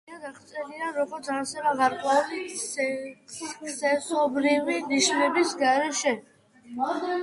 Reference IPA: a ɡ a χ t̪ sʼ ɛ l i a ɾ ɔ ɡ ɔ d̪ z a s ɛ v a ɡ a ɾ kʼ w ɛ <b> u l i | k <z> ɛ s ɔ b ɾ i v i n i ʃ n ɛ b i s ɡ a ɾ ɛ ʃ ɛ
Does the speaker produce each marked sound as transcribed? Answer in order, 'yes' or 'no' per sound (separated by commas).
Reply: no, no